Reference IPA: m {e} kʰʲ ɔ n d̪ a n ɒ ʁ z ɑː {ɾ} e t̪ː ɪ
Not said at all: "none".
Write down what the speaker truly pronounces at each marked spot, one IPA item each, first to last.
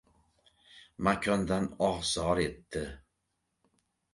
a, ɾ

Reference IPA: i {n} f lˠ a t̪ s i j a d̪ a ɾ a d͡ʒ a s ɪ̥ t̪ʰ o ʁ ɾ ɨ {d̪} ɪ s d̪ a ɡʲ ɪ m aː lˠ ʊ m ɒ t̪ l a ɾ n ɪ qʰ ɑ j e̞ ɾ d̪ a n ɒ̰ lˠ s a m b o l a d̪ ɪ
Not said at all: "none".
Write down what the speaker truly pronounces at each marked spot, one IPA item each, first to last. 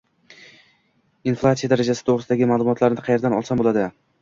n, none

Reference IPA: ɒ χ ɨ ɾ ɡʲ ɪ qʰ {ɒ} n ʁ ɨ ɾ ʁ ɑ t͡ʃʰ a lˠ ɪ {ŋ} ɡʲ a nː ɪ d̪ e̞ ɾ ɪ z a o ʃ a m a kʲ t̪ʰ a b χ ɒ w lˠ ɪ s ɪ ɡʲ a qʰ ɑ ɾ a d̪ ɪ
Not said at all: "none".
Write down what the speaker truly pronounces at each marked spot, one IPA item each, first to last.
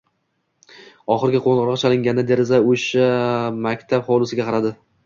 o, ŋ

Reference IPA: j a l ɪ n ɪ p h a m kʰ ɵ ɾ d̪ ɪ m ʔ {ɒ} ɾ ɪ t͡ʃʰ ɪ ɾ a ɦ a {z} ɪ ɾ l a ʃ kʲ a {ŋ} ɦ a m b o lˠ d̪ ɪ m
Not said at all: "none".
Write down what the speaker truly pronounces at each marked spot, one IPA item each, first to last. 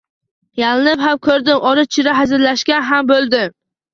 ɒ, z, n

